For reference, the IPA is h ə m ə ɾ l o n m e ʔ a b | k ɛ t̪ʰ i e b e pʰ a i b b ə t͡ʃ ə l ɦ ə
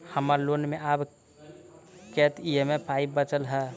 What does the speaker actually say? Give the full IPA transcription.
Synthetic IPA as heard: h ə m ə ɾ l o n m e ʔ a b | k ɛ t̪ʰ i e m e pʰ a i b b ə t͡ʃ ə l ɦ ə